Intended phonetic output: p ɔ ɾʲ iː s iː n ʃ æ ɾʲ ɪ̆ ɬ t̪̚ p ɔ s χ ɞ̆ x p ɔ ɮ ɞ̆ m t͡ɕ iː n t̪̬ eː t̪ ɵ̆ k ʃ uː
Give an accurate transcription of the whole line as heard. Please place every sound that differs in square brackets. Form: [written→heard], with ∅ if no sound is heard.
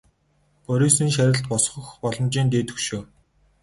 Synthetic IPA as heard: p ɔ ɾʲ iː s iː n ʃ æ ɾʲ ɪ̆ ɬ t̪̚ p ɔ s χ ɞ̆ x p ɔ ɮ ɞ̆ m t͡ɕ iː n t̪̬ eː t̪ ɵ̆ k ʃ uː